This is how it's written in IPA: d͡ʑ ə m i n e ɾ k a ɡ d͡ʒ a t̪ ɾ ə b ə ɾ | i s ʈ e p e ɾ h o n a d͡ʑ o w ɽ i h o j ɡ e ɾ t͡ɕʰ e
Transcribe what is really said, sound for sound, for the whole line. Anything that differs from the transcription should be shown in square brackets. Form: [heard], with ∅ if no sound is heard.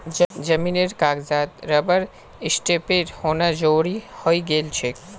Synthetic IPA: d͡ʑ ə m i n e ɾ k a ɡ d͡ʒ a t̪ ɾ ə b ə ɾ | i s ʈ e p e ɾ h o n a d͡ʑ o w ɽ i h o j ɡ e [l] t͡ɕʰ e